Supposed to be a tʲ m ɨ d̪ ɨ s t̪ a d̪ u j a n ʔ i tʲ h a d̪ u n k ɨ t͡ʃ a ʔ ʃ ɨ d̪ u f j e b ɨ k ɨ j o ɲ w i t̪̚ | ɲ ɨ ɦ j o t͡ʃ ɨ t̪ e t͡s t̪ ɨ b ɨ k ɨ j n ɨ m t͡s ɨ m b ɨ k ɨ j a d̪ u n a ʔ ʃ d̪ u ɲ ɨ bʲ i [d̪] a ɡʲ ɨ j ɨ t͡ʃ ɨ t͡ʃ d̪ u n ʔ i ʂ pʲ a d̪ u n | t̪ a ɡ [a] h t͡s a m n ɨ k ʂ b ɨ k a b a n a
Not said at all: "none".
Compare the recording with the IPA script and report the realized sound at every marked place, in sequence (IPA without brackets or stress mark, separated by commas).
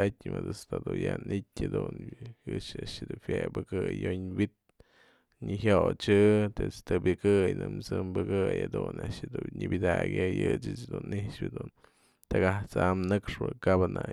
d̪, a